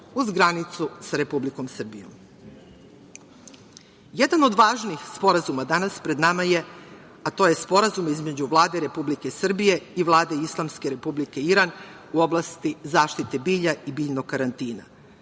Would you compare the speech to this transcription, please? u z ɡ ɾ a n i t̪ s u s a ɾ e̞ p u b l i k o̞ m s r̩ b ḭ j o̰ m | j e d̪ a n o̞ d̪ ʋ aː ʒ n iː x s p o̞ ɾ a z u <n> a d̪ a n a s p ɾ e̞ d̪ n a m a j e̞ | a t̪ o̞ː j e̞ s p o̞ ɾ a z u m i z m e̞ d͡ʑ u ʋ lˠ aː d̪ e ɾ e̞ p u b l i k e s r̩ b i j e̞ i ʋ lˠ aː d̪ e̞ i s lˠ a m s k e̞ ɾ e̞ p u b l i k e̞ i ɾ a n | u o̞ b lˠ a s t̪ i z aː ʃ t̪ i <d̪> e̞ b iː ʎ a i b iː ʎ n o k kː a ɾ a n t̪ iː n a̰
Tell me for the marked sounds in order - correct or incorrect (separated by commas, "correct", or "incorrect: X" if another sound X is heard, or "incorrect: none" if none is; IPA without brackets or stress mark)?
incorrect: m, incorrect: t̪